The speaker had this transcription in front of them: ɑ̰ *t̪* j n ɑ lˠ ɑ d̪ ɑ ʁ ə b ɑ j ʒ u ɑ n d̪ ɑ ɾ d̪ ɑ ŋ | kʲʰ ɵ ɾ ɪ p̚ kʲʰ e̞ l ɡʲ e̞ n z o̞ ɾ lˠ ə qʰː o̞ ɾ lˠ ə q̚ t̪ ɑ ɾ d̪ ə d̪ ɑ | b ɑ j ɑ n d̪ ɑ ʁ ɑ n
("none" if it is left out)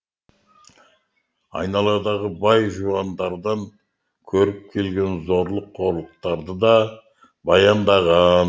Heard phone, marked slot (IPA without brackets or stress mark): none